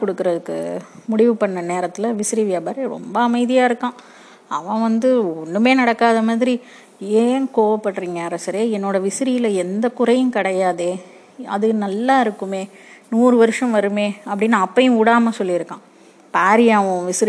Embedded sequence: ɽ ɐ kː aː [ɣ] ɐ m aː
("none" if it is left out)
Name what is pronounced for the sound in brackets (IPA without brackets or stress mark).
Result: ð